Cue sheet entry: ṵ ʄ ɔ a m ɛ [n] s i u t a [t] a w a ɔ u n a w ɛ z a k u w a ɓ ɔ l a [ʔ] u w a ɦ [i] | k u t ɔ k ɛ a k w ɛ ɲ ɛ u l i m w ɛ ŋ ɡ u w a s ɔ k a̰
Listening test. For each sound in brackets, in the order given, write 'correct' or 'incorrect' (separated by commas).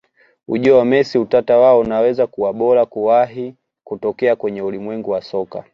incorrect, correct, incorrect, correct